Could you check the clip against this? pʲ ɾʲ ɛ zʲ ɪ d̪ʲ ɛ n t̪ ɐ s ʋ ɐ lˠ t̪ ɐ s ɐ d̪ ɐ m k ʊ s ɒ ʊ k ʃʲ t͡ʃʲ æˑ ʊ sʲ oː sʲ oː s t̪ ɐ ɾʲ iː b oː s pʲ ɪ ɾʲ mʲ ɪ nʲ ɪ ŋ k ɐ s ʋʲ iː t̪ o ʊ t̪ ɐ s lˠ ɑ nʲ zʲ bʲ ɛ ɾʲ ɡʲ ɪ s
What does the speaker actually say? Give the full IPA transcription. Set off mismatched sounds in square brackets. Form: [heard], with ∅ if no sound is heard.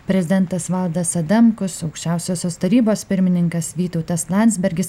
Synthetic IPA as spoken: pʲ ɾʲ ɛ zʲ ɪ d̪ʲ ɛ n t̪ ɐ s ʋ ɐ lˠ [d̪] ɐ s ɐ d̪ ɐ m k ʊ s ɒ ʊ k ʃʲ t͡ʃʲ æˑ ʊ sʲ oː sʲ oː s t̪ ɐ ɾʲ iː b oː s pʲ ɪ ɾʲ mʲ ɪ nʲ ɪ ŋ k ɐ s ʋʲ iː t̪ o ʊ t̪ ɐ s lˠ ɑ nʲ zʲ bʲ ɛ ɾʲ ɡʲ ɪ s

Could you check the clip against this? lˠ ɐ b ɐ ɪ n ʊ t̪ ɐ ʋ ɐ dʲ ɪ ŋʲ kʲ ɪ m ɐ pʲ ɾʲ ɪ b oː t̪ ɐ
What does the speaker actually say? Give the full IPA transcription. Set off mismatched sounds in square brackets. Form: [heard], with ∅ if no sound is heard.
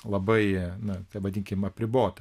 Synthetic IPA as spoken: lˠ ɐ b ɐ ɪ n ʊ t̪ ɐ ʋ ɐ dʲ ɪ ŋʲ kʲ ɪ m ɐ pʲ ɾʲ ɪ b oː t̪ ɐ

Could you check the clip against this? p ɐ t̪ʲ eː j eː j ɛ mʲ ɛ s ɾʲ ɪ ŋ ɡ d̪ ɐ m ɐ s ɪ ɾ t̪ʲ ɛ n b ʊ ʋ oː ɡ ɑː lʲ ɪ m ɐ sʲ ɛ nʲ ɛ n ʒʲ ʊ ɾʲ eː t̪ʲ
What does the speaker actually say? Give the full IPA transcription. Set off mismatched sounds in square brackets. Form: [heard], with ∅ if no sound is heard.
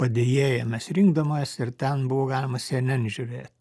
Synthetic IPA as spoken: p ɐ [d̪ʲ] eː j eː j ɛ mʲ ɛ s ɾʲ ɪ ŋ ɡ d̪ ɐ m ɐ s ɪ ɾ t̪ʲ ɛ n b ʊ ʋ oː ɡ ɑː lʲ ɪ m ɐ sʲ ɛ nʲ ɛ n ʒʲ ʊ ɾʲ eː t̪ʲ

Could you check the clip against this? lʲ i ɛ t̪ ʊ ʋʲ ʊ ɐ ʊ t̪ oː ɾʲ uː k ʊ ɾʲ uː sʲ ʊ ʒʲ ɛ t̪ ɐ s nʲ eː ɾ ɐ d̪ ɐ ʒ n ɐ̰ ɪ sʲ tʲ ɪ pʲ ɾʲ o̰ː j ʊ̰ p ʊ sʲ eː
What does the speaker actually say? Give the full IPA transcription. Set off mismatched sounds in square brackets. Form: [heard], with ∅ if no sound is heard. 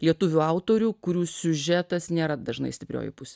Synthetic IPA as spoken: lʲ i ɛ t̪ ʊ ʋʲ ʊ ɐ ʊ t̪ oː ɾʲ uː k ʊ ɾʲ uː sʲ ʊ ʒʲ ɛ t̪ ɐ s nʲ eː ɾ ɐ d̪ ɐ ʒ n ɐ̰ ɪ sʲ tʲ ɪ pʲ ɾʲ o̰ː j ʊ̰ p ʊ sʲ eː

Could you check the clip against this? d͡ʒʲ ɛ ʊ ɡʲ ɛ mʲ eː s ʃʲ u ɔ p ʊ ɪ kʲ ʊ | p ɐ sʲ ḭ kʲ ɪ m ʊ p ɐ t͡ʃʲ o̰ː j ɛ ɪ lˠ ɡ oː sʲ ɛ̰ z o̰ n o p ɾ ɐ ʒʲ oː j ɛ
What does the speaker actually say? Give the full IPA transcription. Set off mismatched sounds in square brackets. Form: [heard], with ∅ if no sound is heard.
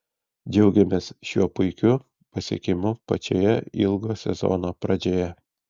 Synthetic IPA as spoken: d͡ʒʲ ɛ ʊ ɡʲ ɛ mʲ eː s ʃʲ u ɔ p ʊ ɪ kʲ ʊ | p ɐ sʲ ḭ kʲ ɪ m ʊ p ɐ t͡ʃʲ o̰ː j ɛ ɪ lˠ ɡ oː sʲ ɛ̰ z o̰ n o p ɾ ɐ [d͡ʒʲ] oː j ɛ

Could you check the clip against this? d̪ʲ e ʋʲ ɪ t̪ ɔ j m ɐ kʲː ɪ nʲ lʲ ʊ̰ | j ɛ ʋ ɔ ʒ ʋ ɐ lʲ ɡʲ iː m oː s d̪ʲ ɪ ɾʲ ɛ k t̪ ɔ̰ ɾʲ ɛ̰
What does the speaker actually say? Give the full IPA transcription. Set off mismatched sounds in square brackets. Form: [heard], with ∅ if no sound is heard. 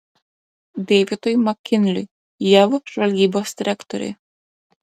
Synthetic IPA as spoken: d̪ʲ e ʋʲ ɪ t̪ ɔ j m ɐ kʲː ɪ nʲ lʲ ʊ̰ | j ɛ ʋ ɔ ʒ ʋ ɐ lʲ ɡʲ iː [b] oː s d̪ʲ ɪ ɾʲ ɛ k t̪ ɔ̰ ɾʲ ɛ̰

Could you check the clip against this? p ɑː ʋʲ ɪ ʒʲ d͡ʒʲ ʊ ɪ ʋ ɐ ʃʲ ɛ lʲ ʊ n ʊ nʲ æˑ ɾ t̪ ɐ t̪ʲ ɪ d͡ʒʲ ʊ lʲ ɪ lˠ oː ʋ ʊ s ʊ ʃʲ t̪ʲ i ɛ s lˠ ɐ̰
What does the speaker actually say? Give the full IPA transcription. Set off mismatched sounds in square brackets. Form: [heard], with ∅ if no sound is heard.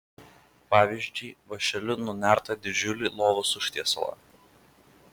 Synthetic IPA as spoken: p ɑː ʋʲ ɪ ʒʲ d͡ʒʲ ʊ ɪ ʋ ɐ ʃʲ ɛ lʲ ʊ n ʊ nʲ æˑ ɾ t̪ ɐ [d̪ʲ] ɪ d͡ʒʲ ʊ lʲ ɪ lˠ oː ʋ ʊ s ʊ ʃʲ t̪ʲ i ɛ s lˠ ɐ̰

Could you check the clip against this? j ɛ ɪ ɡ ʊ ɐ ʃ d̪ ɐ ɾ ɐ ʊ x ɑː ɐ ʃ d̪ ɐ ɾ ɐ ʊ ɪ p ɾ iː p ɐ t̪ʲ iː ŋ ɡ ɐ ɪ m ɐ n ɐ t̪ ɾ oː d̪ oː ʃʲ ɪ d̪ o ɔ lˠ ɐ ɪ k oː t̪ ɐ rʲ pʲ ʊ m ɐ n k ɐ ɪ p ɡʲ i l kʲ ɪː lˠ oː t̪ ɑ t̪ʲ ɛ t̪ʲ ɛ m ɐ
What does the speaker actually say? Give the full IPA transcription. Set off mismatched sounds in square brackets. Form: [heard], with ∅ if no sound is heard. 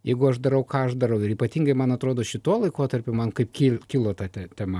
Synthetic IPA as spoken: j ɛ ɪ ɡ ʊ ɐ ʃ d̪ ɐ ɾ ɐ ʊ [k] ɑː ɐ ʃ d̪ ɐ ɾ ɐ ʊ ɪ [∅] ɾ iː p ɐ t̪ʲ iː ŋ ɡ ɐ ɪ m ɐ n ɐ t̪ ɾ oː d̪ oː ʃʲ ɪ [t̪] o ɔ lˠ ɐ ɪ k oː t̪ ɐ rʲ pʲ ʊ m ɐ n k ɐ ɪ p [kʲ] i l kʲ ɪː lˠ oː t̪ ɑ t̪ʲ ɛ t̪ʲ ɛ m ɐ

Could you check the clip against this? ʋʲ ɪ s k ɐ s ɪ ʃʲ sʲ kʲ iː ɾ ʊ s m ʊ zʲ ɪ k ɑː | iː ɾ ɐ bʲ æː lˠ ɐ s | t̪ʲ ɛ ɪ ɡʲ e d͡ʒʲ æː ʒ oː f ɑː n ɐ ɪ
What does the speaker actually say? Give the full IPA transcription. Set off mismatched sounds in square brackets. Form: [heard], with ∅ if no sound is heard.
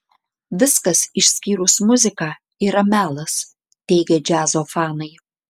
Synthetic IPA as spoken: ʋʲ ɪ s k ɐ s ɪ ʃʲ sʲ kʲ iː ɾ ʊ s m ʊ zʲ ɪ k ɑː | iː ɾ ɐ [mʲ] æː lˠ ɐ s | t̪ʲ ɛ ɪ ɡʲ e d͡ʒʲ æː [z] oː f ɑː n ɐ ɪ

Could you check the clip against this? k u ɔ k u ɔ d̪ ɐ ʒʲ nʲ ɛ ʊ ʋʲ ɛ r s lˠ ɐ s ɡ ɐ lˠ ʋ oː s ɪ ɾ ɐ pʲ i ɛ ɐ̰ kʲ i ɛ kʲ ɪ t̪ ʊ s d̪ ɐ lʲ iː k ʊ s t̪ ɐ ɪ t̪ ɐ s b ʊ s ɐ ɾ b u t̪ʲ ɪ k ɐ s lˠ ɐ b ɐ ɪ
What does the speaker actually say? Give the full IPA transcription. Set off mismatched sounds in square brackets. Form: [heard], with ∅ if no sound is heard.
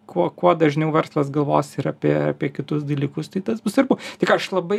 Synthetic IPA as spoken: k u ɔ k u ɔ d̪ ɐ ʒʲ nʲ ɛ ʊ ʋʲ ɛ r s lˠ ɐ s ɡ ɐ lˠ ʋ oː s ɪ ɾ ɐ pʲ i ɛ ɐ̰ [pʲ] i ɛ kʲ ɪ t̪ ʊ s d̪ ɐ lʲ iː k ʊ s t̪ ɐ ɪ t̪ ɐ s b ʊ s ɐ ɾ b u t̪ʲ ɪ k ɐ [ʃ] lˠ ɐ b ɐ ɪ

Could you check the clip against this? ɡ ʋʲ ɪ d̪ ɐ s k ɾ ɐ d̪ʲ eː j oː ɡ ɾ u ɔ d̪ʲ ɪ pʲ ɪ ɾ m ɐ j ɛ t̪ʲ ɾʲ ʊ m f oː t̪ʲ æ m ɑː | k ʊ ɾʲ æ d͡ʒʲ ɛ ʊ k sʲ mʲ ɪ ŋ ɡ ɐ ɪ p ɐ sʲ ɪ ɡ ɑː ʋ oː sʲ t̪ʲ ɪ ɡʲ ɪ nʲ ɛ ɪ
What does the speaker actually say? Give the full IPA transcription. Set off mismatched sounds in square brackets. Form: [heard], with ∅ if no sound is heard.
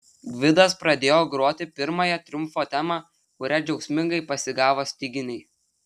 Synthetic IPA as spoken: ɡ ʋʲ ɪ d̪ ɐ s [p] ɾ ɐ d̪ʲ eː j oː ɡ ɾ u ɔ [t̪ʲ] ɪ pʲ ɪ ɾ m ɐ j ɛ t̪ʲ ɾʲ ʊ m f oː t̪ʲ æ m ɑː | k ʊ ɾʲ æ d͡ʒʲ ɛ ʊ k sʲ mʲ ɪ ŋ ɡ ɐ ɪ p ɐ sʲ ɪ ɡ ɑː ʋ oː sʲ t̪ʲ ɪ ɡʲ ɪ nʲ ɛ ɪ

